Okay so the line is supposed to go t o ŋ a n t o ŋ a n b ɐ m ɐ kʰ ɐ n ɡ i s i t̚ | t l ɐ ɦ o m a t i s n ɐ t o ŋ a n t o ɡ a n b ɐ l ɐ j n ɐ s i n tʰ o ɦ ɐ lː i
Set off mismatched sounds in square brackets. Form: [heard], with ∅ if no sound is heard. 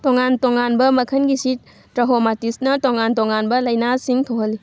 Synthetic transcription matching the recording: t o ŋ a n t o ŋ a n b ɐ m ɐ kʰ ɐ n ɡ i s i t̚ | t [ɾ] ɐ ɦ o m a t i s n ɐ t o ŋ a n t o [ŋ] a n b ɐ l ɐ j n [a] s i [ŋ] tʰ o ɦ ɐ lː i